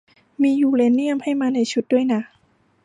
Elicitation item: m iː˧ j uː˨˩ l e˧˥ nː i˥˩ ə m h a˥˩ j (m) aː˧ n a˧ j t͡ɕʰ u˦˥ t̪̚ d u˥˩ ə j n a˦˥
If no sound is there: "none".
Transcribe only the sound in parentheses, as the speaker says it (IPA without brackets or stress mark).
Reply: m